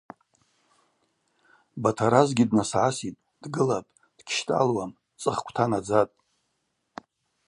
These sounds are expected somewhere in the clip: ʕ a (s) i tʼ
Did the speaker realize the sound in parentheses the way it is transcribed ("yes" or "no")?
yes